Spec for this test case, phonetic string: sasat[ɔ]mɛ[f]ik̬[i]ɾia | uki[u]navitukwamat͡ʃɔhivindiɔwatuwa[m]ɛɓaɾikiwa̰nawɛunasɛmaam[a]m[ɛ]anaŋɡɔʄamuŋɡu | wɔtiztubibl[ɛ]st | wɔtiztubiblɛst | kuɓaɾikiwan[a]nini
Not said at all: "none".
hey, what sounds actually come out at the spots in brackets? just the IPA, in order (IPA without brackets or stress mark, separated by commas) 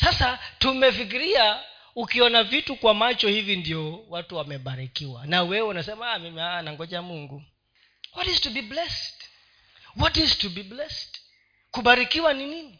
u, f, i, ɔ, m, i, i, ɛ, i